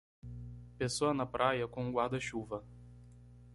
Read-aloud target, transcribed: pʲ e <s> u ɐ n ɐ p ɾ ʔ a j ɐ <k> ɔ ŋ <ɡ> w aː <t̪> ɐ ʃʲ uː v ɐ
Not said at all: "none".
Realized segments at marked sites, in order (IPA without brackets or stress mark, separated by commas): s, k, ɡ, d̪